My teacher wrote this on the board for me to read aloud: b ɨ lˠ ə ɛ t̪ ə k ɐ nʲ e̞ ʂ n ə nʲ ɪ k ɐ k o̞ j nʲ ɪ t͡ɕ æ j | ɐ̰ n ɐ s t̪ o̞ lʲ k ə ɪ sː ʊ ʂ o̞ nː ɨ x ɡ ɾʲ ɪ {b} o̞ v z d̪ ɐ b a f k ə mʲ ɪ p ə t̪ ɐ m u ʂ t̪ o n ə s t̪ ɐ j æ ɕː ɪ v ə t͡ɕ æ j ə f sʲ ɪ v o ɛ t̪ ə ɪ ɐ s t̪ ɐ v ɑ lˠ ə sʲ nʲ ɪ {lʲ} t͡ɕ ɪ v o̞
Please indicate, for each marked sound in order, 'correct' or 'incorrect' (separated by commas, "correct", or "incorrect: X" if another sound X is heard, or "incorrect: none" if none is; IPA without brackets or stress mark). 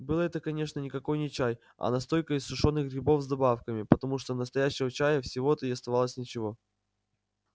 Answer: correct, incorrect: none